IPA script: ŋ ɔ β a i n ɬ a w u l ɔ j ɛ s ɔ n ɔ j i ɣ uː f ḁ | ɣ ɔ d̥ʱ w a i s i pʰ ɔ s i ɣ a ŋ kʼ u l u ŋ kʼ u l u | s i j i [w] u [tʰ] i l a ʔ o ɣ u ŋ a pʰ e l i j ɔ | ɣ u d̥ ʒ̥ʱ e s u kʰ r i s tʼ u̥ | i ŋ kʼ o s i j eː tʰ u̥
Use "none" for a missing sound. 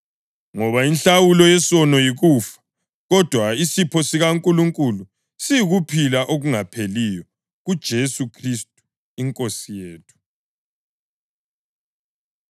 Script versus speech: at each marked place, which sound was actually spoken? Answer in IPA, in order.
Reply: ɣ, pʰ

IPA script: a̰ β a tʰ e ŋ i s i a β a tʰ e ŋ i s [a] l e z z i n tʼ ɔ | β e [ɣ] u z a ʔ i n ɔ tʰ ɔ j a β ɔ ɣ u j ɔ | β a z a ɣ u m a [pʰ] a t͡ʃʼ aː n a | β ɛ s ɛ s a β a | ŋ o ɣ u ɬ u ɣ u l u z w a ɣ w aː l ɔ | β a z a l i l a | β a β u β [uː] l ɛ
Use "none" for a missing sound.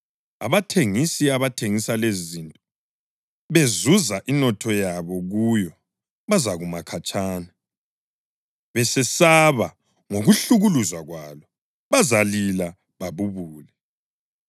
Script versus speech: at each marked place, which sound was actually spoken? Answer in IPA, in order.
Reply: a, z, kʰ, uː

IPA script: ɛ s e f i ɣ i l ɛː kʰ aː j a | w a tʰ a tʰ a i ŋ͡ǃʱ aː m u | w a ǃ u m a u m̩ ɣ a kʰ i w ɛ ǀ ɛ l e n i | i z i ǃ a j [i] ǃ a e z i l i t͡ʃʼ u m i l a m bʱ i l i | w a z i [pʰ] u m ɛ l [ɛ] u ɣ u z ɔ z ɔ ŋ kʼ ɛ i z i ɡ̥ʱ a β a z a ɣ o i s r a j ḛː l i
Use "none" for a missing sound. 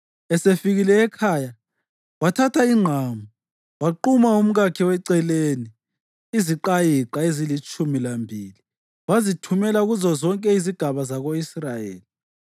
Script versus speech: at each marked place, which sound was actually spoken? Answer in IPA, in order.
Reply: i, tʰ, a

